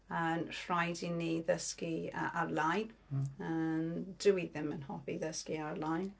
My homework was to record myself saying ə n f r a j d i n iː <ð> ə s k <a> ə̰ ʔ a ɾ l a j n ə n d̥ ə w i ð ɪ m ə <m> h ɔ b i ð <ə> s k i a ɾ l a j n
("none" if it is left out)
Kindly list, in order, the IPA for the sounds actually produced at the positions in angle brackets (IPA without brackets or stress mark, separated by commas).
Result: ð, i, n, ə